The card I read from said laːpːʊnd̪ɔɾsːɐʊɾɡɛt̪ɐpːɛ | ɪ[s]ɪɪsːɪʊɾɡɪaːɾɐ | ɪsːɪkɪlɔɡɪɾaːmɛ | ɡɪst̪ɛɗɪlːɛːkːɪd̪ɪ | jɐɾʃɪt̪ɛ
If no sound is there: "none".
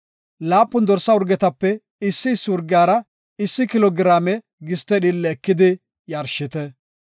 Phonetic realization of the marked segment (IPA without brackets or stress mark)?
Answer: sː